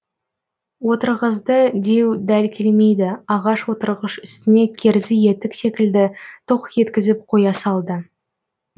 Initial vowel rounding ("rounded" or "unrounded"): rounded